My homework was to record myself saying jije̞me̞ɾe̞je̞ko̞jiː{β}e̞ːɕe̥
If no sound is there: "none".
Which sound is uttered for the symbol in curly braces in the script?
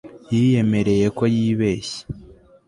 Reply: β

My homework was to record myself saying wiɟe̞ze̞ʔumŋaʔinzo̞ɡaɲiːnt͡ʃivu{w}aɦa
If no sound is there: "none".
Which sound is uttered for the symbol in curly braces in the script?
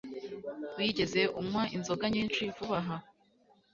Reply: β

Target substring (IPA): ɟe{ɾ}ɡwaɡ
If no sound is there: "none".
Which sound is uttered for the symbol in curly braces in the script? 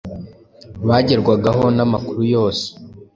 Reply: ɾ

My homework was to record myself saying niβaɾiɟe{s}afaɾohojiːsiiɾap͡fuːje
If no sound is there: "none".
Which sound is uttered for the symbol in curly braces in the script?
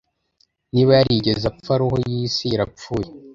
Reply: z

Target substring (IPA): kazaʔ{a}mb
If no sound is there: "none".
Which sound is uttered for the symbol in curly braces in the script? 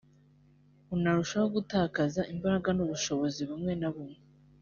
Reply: i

